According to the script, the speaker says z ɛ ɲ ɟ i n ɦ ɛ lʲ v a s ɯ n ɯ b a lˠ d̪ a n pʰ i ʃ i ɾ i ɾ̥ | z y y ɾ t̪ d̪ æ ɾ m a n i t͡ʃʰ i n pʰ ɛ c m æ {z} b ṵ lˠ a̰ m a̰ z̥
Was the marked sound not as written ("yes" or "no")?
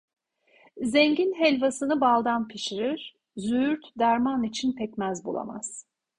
no